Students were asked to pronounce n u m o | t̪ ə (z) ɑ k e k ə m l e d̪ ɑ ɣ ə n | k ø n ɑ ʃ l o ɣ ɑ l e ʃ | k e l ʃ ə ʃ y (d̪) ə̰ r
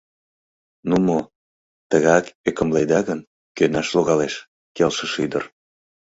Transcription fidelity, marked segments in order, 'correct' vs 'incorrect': incorrect: ɣ, correct

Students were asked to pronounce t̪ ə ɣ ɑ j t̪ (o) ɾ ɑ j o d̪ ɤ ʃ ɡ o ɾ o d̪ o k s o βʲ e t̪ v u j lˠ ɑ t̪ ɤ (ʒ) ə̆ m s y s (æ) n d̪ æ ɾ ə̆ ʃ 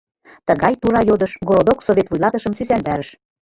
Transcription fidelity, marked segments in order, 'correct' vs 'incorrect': incorrect: u, incorrect: ʃ, correct

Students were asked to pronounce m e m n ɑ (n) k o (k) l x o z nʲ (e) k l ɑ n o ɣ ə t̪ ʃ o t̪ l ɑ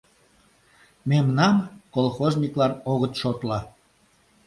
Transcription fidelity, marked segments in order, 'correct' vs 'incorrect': incorrect: m, incorrect: none, incorrect: i

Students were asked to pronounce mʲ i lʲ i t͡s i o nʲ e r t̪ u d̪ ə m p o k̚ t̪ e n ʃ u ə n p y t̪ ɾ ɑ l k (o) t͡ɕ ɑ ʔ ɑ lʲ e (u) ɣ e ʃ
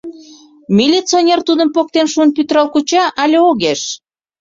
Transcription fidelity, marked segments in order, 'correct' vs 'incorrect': incorrect: u, incorrect: o

